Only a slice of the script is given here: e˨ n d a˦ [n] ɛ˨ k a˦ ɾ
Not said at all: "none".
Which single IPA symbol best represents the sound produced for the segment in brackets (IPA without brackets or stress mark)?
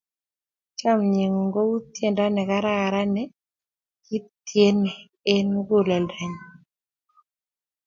n